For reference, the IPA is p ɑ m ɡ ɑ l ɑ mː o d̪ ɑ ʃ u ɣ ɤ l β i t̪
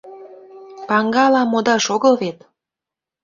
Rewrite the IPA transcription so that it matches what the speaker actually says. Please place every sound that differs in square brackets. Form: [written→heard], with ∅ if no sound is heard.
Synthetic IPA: p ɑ [m→ŋ] ɡ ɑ l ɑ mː o d̪ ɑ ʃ [u→o] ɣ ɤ l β [i→e] t̪

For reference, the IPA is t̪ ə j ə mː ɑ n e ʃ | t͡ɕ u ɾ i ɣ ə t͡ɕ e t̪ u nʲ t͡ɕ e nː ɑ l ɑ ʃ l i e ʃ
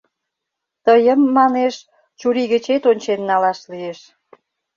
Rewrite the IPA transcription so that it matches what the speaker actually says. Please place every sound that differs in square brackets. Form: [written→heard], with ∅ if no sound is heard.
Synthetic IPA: t̪ ə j ə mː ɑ n e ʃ | t͡ɕ u ɾ i ɣ ə t͡ɕ e t̪ [u→o] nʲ t͡ɕ e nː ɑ l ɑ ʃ l i e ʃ

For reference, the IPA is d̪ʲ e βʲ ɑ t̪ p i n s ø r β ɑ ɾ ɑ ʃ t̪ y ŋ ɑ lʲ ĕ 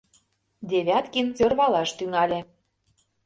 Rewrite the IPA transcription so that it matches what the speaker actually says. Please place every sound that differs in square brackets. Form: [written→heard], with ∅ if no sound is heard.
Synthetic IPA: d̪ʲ e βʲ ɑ t̪ [p→k] i n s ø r β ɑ [ɾ→l] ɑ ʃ t̪ y ŋ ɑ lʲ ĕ

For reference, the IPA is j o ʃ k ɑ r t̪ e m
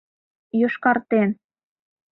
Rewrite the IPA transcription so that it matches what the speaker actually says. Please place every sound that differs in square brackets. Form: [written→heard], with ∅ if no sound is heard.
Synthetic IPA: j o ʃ k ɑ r t̪ e [m→n]

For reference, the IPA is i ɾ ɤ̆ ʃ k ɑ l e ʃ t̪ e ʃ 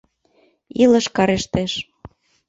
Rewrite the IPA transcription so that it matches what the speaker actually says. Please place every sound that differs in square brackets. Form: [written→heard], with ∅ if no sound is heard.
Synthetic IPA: i [ɾ→l] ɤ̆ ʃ k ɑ [l→ɾ] e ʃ t̪ e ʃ

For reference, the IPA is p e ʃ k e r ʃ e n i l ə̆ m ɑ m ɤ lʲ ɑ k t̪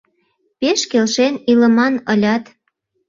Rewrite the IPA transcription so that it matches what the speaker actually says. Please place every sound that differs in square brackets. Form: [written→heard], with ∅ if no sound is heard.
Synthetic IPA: p e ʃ k e [r→l] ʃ e n i l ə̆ m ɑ [m→n] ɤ lʲ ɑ [k→∅] t̪

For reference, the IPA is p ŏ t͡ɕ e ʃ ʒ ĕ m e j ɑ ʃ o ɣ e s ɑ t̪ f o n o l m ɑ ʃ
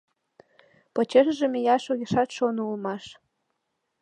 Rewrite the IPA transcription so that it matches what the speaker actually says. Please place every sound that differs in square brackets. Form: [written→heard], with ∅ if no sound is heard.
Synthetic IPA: p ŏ t͡ɕ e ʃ ʒ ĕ m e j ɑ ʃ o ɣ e [s→ʃ] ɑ t̪ [f→ʃ] o n [o→u] l m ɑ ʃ

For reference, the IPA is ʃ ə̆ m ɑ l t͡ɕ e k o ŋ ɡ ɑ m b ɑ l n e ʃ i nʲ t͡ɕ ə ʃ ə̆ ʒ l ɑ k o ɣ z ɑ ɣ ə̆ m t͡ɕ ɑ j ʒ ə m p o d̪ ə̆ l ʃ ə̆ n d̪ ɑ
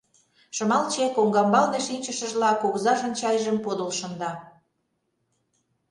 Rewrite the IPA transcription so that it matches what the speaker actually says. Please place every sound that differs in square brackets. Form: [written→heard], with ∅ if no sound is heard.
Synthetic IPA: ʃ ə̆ m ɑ l t͡ɕ e k o ŋ ɡ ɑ m b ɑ l n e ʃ i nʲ t͡ɕ ə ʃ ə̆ ʒ l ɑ k o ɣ z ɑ [ɣ→ʒ] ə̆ [m→n] t͡ɕ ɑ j ʒ ə m p o d̪ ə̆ l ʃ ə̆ n d̪ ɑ

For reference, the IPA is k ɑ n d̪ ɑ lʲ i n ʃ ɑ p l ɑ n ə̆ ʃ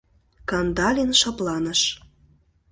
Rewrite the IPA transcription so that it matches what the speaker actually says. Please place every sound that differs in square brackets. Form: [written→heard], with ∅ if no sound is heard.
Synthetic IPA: k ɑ n d̪ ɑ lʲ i n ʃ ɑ p l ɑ n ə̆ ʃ

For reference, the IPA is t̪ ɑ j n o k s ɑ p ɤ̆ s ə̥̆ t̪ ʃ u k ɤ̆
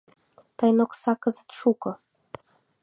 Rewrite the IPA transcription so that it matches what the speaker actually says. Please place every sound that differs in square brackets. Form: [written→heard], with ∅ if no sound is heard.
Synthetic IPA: t̪ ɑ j n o k s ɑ [p→k] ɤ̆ [s→z] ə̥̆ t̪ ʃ u k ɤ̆

